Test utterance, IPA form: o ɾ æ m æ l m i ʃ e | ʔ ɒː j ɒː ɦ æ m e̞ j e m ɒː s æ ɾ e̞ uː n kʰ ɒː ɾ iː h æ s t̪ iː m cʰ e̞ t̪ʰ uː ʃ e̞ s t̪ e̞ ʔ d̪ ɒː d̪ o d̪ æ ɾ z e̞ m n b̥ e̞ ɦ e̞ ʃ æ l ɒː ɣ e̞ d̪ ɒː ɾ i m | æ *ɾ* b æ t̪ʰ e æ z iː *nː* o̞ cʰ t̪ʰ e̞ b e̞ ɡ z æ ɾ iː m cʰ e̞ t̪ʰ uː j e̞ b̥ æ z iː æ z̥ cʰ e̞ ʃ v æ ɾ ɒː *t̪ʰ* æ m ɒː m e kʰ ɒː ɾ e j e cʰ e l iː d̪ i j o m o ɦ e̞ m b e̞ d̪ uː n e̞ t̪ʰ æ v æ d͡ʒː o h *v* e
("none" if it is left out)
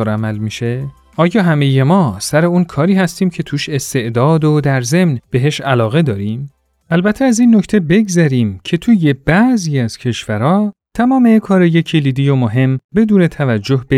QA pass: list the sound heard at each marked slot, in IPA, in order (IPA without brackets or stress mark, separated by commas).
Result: l, nː, t̪ʰ, b